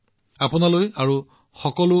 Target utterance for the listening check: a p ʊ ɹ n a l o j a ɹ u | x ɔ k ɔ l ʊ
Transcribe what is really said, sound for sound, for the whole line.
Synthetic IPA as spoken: a p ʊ n a l o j a ɹ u | x ɔ k ɔ l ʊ